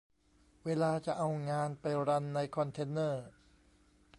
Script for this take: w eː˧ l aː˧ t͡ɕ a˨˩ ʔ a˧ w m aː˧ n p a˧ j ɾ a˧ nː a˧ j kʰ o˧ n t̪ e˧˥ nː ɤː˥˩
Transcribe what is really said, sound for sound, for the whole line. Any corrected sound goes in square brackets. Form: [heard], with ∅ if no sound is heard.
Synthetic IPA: w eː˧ l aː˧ t͡ɕ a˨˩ ʔ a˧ w [ŋ] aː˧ n p a˧ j ɾ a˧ nː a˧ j kʰ [ɔ˧] n [t̪ʰ] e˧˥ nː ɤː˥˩